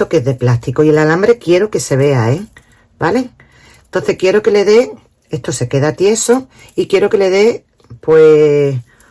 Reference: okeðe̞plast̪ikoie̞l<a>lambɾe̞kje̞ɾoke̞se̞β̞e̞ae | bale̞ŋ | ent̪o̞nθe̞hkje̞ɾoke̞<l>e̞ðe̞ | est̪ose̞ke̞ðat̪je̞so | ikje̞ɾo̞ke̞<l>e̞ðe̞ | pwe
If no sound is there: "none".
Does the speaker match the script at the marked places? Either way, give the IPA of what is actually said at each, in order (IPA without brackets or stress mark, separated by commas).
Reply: a, l, l